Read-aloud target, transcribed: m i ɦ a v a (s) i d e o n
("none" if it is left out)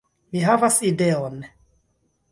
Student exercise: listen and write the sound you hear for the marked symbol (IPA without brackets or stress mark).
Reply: s